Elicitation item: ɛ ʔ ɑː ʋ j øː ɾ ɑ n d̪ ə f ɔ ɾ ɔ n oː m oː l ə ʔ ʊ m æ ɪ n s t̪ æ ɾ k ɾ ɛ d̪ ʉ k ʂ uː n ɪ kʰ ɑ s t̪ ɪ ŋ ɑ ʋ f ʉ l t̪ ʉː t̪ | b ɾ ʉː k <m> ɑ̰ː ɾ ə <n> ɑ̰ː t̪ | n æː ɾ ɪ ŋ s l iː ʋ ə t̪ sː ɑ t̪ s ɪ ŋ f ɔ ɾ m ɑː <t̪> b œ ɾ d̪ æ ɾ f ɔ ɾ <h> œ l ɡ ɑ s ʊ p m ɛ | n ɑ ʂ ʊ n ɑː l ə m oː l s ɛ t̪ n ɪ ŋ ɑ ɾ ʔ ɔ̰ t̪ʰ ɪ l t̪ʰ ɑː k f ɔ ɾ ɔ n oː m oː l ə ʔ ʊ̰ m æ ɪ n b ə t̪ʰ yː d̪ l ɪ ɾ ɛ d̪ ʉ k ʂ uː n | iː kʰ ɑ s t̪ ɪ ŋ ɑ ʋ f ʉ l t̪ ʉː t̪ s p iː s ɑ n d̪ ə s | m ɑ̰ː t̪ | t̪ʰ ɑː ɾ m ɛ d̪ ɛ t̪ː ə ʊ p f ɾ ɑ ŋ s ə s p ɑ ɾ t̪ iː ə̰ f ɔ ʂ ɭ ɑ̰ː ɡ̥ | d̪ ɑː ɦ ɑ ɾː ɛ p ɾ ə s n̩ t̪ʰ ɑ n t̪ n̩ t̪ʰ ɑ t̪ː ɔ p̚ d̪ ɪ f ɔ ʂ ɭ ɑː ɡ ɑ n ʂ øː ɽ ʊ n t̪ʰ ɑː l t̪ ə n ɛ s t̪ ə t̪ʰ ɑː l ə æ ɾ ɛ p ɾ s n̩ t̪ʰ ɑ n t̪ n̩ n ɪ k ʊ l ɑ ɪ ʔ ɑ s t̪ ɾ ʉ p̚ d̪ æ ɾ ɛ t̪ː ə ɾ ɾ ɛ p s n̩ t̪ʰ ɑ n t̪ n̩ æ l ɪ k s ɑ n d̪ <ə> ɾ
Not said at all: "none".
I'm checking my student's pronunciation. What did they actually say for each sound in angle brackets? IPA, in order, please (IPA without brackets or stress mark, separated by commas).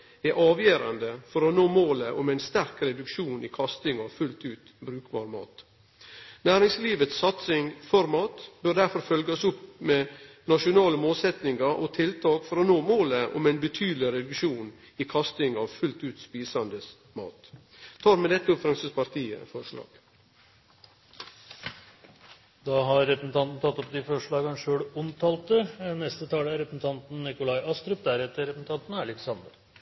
b, m, t̪, f, ə